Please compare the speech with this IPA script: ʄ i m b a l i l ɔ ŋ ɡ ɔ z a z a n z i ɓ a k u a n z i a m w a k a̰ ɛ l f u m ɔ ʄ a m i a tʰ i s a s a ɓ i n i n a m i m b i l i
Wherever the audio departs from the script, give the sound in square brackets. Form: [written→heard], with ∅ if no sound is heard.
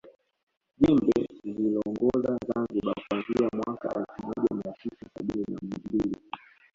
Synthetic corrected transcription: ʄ i m b [a→ɛ] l i l ɔ ŋ ɡ ɔ z a z a n z i ɓ a k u a n z i a m w a k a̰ ɛ l f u m ɔ ʄ a m i a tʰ i s a s a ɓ i n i n a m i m b i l i